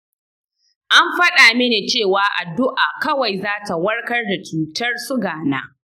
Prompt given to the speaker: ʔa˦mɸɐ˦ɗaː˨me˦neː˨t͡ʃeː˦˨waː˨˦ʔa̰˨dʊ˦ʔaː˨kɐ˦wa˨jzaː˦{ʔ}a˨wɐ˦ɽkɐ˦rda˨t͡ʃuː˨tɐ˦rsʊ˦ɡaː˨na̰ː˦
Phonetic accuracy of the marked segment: incorrect: t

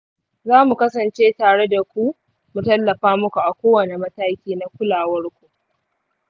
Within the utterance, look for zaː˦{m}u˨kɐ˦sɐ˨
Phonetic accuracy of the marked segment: correct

